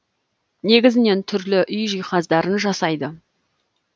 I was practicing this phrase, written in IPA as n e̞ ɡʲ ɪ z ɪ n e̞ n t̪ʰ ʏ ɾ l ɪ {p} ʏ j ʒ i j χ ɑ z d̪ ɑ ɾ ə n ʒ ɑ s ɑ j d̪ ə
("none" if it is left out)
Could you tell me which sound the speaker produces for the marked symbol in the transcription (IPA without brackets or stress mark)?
ʔ